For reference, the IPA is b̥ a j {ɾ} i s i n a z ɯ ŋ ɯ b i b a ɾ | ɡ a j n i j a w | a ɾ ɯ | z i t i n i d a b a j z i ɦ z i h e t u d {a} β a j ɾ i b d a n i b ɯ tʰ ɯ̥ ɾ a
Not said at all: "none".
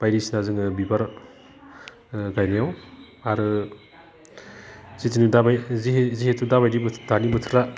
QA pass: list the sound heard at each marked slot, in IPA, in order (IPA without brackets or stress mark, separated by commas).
ɾ, a